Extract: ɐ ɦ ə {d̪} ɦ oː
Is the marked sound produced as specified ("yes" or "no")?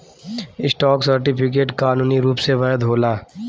yes